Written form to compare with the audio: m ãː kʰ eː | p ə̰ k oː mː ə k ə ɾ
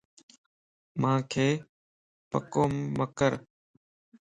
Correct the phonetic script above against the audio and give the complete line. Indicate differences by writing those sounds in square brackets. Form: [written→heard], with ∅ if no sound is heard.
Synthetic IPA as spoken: m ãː kʰ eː | p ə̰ k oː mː ə k ə ɾ